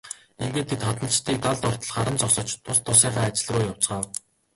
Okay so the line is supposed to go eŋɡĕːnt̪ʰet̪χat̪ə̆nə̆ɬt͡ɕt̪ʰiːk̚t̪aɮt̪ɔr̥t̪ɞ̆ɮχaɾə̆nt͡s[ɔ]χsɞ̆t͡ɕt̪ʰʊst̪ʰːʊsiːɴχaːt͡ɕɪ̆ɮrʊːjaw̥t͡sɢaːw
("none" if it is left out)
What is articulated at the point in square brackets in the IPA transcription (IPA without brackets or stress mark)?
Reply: ɔ